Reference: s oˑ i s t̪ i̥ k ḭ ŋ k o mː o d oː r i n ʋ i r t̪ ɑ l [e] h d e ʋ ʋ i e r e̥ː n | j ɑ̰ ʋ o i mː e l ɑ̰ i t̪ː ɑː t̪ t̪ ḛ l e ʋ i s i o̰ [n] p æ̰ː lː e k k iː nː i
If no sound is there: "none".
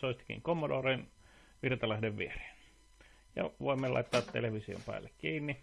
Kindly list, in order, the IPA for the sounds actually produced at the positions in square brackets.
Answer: æ, m

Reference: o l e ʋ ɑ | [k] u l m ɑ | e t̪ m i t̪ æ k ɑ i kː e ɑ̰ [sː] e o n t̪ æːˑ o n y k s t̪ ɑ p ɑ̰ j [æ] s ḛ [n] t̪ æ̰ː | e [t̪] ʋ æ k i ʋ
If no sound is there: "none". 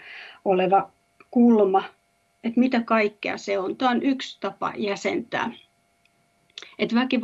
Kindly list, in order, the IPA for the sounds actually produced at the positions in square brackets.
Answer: k, s, æ, n, t̪

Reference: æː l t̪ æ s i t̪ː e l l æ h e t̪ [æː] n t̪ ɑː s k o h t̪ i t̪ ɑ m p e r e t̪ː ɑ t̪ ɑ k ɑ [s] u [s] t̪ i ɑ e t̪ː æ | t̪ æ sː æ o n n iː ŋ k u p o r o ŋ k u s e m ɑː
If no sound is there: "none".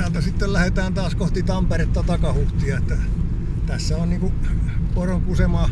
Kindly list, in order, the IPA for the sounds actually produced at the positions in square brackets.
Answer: æː, h, h

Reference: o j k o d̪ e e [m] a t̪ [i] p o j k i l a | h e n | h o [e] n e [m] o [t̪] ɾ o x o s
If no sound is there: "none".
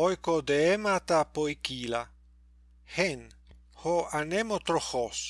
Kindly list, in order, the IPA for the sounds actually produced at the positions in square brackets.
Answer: m, a, a, m, t̪

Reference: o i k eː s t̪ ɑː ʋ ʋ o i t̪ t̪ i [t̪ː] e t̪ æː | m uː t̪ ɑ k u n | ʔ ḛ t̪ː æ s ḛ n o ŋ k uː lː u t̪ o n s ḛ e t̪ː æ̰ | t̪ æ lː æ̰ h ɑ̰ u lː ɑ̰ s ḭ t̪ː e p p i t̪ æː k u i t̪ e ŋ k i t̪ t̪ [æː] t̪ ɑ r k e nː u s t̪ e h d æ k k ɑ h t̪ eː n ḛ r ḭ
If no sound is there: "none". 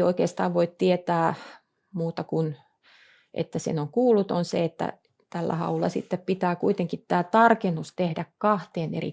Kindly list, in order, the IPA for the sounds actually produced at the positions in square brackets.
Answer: none, æː

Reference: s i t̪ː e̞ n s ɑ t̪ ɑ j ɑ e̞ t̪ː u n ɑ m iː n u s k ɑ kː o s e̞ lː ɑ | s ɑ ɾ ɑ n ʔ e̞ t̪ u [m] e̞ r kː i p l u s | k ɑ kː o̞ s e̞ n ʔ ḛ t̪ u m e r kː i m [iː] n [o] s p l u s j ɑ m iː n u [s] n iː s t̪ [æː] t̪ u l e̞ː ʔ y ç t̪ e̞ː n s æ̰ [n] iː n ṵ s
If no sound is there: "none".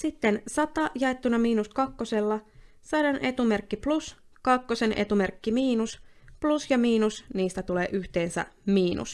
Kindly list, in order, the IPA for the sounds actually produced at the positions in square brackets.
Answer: m, iː, u, s, æ, m

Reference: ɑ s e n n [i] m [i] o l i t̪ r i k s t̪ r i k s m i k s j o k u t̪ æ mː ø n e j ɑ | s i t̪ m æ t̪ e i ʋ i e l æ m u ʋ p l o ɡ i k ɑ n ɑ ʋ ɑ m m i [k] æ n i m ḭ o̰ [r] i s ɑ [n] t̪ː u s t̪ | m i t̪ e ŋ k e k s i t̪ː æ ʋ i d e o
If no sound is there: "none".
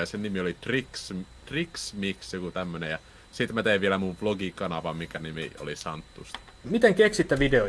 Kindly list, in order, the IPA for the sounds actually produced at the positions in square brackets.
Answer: i, i, k, l, n

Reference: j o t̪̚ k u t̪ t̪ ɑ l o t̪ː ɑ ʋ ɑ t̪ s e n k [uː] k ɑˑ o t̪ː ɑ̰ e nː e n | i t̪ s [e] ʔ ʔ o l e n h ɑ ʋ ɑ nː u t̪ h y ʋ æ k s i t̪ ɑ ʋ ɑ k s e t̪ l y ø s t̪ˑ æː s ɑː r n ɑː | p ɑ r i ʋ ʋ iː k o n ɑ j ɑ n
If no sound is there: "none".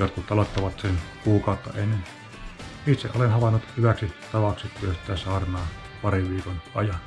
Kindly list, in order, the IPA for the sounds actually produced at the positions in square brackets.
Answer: uː, e

